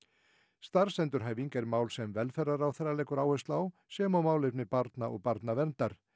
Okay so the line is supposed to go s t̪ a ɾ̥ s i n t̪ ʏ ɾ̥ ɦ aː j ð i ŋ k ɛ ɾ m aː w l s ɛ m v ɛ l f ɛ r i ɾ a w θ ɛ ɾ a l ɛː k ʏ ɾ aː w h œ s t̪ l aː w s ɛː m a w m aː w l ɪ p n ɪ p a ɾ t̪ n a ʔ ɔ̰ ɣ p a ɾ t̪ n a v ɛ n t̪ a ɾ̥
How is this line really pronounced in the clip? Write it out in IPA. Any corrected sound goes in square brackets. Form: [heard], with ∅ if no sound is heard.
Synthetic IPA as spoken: s t̪ a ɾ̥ s [ɛ] n t̪ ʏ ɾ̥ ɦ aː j [v] i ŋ k ɛ ɾ m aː w l s ɛ m v ɛ l f ɛ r [a] ɾ a w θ ɛ ɾ a l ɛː k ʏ ɾ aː w h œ s t̪ l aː w s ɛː m a w m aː w l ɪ p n ɪ p a ɾ t̪ n a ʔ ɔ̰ ɣ p a ɾ t̪ n a v ɛ n t̪ a ɾ̥